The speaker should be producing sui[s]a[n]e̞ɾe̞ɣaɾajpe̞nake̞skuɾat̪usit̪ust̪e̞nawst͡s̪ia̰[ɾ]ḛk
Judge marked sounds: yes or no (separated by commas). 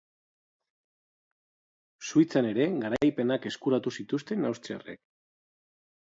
no, yes, no